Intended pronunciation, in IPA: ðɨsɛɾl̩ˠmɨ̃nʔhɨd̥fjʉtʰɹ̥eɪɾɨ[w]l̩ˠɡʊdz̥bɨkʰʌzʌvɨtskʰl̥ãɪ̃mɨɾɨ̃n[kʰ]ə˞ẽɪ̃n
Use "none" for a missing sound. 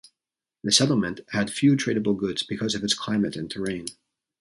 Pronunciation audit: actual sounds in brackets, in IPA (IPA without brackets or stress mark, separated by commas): b, tʰ